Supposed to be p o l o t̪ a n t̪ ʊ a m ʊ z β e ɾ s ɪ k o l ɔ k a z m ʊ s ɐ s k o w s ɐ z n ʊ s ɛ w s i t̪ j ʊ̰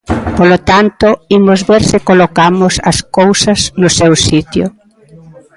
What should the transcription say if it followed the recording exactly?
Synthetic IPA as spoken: p o l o t̪ a n t̪ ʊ i m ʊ z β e ɾ s ɪ k o l o k a m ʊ s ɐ s k o w s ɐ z n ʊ s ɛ w s i t̪ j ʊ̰